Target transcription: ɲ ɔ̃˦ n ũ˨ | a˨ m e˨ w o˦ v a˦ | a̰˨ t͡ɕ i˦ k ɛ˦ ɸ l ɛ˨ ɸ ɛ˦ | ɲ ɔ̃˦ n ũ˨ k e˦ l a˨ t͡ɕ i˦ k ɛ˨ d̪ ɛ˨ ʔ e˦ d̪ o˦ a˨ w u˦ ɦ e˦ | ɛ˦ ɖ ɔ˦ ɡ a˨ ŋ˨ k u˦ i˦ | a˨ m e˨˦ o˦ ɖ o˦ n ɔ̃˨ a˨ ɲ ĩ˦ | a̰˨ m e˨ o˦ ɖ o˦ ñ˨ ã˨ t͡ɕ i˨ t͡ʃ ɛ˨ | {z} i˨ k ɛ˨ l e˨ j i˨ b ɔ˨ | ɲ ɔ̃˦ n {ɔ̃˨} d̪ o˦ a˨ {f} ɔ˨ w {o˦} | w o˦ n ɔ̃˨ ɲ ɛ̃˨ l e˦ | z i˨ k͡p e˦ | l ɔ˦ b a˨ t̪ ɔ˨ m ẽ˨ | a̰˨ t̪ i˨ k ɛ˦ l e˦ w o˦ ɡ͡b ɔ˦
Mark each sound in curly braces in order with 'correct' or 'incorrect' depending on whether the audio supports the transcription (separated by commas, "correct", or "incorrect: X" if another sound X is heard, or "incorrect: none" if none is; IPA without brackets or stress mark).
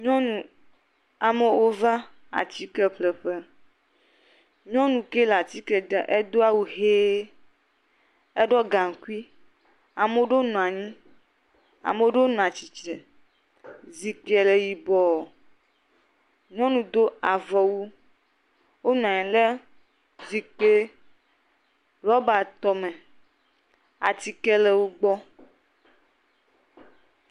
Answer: correct, incorrect: ũ˨, incorrect: v, incorrect: u˦